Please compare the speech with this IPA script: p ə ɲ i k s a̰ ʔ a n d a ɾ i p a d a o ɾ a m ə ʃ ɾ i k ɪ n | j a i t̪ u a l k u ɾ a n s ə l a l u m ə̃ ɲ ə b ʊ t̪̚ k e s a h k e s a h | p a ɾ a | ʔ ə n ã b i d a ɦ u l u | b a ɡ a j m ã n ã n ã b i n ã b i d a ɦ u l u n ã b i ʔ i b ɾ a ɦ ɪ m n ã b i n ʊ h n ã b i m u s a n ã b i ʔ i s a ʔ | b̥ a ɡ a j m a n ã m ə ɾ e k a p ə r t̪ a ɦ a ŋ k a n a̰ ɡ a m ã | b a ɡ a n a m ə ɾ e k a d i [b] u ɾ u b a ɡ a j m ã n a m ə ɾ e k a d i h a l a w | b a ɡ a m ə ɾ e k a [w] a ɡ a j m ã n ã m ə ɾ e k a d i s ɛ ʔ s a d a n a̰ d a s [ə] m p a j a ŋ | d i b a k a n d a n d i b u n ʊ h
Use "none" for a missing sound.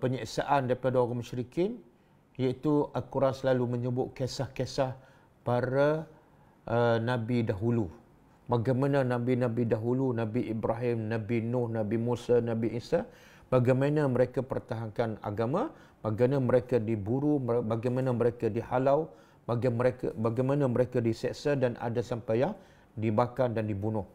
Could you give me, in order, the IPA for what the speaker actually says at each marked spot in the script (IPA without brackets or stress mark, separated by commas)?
b, b, a